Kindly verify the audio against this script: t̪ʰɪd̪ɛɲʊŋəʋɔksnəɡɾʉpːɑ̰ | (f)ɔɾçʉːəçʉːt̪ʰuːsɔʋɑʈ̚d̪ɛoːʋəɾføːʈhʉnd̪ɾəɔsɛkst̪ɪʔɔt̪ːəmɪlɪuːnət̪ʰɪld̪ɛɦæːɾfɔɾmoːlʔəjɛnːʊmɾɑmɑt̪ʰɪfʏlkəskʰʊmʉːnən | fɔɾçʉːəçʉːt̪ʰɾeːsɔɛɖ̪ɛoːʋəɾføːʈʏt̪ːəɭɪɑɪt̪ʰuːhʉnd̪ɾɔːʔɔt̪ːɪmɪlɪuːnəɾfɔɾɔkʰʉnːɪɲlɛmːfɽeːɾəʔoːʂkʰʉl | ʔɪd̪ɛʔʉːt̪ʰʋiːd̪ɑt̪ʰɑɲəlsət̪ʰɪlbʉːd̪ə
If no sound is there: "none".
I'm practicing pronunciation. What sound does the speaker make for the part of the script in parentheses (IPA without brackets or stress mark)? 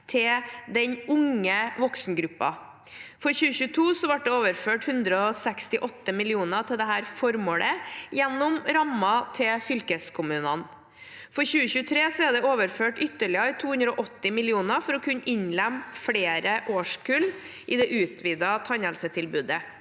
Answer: f